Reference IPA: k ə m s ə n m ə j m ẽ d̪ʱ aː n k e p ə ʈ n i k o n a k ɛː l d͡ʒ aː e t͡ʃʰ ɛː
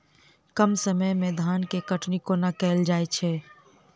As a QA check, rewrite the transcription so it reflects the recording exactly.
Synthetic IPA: k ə m s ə m ə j m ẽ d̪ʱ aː n k e k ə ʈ n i k o n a k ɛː l d͡ʒ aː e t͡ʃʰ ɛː